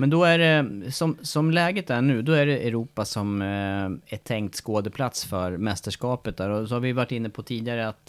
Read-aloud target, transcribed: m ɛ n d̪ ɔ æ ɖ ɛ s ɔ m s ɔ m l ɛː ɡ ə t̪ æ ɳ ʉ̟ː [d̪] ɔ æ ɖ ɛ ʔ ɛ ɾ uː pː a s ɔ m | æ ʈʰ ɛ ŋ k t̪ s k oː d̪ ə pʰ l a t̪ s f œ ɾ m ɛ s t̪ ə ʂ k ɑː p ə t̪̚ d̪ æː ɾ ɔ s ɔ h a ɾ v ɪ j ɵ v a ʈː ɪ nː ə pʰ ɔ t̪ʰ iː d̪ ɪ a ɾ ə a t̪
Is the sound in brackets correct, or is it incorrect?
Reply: correct